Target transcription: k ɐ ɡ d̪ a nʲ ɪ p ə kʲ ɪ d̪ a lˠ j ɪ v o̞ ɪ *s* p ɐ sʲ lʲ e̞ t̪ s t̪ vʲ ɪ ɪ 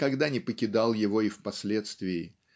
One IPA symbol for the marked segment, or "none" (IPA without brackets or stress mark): f